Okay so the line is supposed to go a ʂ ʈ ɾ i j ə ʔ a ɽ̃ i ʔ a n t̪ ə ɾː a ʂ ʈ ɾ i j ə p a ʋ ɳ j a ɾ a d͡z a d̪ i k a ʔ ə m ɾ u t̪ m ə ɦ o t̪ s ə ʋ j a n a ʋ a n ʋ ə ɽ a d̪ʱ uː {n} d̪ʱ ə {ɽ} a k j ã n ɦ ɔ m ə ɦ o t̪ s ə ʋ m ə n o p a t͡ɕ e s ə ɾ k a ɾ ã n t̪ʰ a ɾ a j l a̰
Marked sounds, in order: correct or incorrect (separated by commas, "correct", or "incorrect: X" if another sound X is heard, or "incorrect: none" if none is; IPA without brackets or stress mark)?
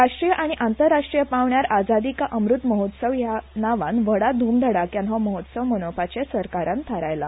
incorrect: m, correct